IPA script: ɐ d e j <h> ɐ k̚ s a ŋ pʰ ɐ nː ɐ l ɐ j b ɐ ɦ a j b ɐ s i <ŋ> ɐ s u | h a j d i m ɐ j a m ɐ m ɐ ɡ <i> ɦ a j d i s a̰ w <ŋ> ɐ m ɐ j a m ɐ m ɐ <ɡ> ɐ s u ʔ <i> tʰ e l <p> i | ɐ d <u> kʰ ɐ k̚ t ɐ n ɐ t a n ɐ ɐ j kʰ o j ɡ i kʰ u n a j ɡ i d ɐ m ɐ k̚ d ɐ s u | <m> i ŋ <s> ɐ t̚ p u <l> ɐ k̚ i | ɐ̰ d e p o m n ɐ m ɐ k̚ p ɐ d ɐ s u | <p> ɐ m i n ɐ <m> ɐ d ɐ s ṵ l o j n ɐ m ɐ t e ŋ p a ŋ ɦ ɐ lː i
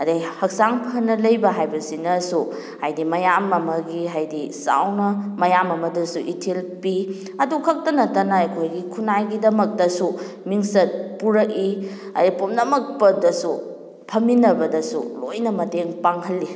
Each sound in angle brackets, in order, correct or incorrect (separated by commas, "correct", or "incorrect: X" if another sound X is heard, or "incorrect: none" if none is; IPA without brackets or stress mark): correct, incorrect: n, correct, incorrect: n, incorrect: d, correct, correct, correct, correct, correct, incorrect: ɾ, incorrect: pʰ, incorrect: b